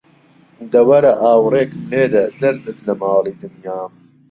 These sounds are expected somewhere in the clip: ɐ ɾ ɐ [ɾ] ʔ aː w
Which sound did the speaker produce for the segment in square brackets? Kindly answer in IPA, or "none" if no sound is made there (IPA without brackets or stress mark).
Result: none